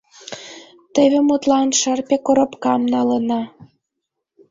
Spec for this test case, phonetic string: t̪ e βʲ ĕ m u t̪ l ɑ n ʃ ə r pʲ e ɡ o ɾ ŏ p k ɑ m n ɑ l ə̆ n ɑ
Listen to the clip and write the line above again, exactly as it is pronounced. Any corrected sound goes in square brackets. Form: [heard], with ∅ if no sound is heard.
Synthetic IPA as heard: t̪ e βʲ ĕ m u t̪ l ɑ n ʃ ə r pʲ e [k] o ɾ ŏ p k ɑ m n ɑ l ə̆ n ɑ